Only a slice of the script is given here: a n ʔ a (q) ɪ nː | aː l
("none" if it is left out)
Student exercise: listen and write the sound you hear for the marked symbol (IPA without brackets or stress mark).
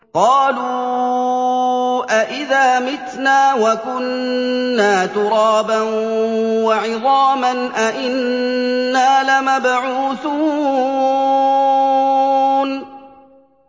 ʔ